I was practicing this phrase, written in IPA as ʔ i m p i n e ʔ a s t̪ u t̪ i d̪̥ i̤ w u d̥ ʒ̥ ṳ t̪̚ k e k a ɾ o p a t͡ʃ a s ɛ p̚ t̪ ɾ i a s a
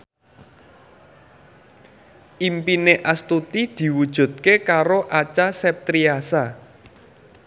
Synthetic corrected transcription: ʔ i m p i n e ʔ a s t̪ u t̪ i d̪̥ i̤ w u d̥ ʒ̥ ṳ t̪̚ k e k a ɾ o ʔ a t͡ʃ a s ɛ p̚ t̪ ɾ i a s a